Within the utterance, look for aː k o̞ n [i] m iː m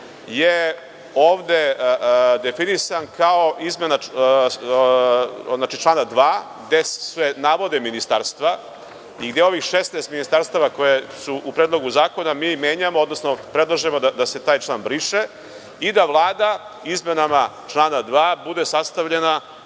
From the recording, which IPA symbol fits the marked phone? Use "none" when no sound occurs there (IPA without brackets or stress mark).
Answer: a